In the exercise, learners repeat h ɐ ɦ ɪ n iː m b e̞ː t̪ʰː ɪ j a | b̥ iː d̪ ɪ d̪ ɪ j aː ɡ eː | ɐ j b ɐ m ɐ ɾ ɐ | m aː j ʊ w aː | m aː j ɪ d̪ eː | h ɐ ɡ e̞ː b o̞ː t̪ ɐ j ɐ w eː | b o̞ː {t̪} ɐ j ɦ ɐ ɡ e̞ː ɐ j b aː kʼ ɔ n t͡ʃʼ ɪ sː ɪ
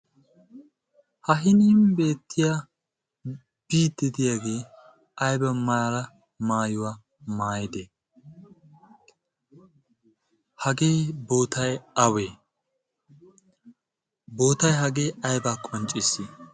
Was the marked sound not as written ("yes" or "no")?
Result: no